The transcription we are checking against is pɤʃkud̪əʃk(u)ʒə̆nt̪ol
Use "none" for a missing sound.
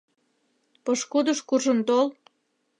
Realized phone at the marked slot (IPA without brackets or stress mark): u